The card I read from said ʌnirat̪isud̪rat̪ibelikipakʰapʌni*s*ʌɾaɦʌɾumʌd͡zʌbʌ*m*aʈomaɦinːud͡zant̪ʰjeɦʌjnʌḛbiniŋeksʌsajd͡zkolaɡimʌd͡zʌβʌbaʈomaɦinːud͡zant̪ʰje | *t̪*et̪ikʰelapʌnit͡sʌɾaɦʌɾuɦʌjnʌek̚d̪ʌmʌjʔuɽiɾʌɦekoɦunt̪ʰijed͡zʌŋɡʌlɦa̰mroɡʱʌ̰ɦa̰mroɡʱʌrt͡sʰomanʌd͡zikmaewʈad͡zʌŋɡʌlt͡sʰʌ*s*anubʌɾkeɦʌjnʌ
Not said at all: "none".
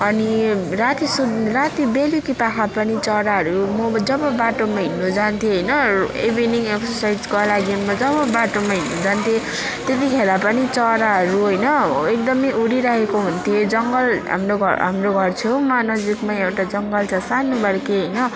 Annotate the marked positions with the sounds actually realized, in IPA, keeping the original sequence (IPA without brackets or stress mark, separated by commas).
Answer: t͡s, b, t̪, s